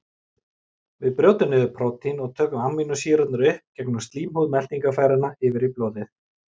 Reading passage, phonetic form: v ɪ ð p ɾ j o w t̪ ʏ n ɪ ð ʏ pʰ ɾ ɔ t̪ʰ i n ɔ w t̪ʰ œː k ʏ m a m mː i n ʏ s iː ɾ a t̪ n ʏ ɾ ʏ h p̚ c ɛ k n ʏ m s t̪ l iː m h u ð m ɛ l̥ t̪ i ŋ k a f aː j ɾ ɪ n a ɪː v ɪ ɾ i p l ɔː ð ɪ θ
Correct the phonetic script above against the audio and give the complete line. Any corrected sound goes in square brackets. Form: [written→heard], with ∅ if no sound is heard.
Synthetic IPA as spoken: v ɪ ð p ɾ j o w t̪ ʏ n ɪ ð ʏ pʰ ɾ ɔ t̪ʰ i n ɔ [w→ɣ] t̪ʰ œː k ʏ m a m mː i n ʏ s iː ɾ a t̪ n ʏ ɾ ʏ h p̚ c ɛ k n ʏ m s t̪ l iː m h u ð m ɛ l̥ t̪ i ŋ k a f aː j ɾ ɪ n a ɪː v ɪ ɾ i p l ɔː ð ɪ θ